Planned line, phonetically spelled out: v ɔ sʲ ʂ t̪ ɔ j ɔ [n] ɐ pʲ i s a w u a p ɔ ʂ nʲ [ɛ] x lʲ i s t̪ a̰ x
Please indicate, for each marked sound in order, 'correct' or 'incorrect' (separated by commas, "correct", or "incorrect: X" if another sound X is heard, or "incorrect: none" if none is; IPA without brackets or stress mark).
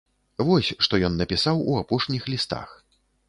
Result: incorrect: nː, incorrect: i